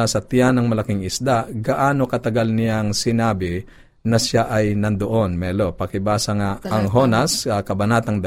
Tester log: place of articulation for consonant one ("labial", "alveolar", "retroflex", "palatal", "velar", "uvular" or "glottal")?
alveolar